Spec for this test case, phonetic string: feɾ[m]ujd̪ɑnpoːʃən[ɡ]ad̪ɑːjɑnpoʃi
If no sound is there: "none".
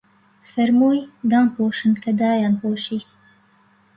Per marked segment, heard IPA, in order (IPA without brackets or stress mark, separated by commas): m, k